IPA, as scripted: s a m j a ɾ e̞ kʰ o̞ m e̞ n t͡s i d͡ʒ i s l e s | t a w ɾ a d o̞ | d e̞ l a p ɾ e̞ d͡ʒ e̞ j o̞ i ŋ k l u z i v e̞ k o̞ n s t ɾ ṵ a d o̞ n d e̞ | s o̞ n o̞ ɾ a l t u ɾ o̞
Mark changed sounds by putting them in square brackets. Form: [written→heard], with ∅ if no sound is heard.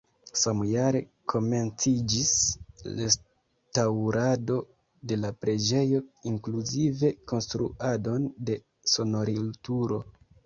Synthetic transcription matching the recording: s a m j a ɾ e̞ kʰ o̞ m e̞ n t͡s i d͡ʒ i s l e s | t a w ɾ a d o̞ | d e̞ l a p ɾ e̞ d͡ʒ e̞ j o̞ i ŋ k l u z i v e̞ k o̞ n s t ɾ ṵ a d o̞ n d e̞ | s o̞ n o̞ ɾ [a→i] l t u ɾ o̞